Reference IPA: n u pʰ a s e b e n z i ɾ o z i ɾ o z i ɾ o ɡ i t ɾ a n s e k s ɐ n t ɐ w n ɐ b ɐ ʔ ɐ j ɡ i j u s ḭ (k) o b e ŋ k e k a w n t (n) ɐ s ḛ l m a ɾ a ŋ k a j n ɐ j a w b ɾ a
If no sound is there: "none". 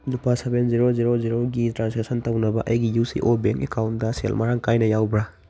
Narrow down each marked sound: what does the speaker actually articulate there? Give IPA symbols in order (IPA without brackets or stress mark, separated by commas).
ʔ, d